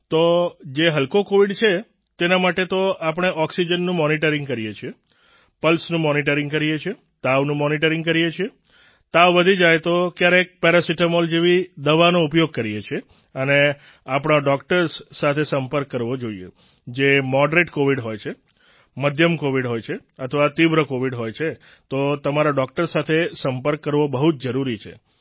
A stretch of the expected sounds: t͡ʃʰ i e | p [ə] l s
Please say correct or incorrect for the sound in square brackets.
correct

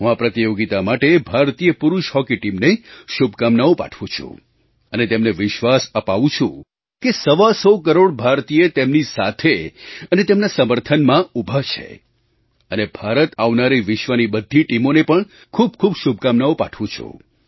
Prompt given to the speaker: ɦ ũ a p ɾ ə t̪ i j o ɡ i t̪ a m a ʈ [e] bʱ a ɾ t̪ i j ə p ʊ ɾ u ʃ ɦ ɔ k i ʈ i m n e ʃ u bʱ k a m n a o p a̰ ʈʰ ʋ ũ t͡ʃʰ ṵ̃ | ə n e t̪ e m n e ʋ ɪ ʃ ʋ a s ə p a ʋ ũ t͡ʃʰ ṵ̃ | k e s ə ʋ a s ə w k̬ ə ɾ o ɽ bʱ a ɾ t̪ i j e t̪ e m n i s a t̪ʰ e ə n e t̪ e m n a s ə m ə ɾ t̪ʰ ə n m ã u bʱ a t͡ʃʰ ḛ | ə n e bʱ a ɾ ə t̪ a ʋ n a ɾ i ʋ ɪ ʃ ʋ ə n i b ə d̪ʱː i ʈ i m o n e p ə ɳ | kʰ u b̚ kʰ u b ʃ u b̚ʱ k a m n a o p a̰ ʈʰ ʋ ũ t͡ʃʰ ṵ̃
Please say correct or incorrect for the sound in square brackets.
correct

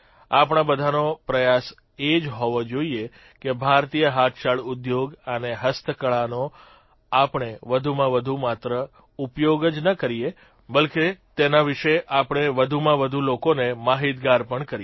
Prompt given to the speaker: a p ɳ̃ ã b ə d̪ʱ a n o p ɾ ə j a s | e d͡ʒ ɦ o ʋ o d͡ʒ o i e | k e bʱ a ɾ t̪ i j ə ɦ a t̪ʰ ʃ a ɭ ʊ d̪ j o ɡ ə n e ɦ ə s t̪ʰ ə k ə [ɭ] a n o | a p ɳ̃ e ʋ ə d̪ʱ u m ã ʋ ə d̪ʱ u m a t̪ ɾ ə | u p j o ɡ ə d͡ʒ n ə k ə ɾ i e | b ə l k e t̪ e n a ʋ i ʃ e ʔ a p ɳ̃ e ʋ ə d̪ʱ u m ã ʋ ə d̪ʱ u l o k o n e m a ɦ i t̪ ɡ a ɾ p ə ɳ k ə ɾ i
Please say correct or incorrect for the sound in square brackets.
correct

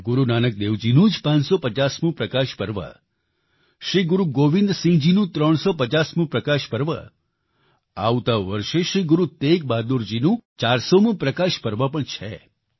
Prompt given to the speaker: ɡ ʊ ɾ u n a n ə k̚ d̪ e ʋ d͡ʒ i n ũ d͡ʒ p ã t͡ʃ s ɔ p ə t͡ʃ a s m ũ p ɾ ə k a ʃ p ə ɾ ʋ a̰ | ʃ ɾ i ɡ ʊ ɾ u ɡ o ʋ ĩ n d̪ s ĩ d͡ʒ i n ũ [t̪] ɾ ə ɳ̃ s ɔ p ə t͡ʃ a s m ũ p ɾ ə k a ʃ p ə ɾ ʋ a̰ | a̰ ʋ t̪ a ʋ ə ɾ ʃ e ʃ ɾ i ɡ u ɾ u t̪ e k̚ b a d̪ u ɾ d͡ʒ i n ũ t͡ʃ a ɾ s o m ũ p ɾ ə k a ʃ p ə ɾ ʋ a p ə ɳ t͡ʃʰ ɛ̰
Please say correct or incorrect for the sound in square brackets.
correct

